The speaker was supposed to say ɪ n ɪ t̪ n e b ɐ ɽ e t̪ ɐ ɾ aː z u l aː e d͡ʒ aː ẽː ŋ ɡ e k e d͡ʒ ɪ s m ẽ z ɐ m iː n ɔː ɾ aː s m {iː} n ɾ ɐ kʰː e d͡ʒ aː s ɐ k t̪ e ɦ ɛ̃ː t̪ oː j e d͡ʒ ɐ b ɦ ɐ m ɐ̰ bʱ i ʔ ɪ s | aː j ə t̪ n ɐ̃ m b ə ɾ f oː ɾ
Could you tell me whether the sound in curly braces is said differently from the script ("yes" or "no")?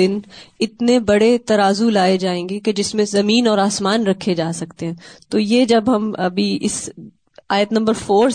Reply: yes